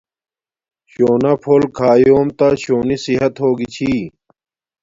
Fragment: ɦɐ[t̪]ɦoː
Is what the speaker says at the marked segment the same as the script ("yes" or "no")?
yes